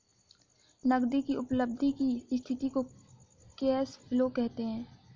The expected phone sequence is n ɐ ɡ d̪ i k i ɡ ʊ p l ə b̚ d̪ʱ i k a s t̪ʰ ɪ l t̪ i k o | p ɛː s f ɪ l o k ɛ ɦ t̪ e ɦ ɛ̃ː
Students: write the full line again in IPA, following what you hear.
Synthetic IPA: n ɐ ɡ d̪ i k i ʊ p l ə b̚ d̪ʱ i k i s t̪ʰ ɪ t̪ i k o | k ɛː s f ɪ l o k ɛ ɦ t̪ e ɦ ɛ̃ː